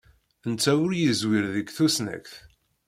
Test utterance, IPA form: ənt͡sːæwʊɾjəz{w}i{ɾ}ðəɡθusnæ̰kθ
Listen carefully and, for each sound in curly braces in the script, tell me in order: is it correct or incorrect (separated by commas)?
correct, correct